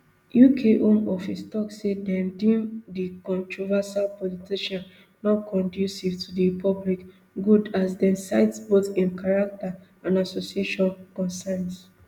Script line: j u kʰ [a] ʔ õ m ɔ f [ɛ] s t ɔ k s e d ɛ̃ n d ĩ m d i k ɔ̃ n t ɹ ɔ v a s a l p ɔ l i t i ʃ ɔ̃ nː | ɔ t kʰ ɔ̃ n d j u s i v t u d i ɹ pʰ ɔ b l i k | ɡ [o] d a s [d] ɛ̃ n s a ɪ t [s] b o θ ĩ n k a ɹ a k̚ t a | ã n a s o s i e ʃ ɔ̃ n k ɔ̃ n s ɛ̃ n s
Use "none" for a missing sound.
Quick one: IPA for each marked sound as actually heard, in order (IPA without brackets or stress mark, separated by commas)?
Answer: e, i, u, d, s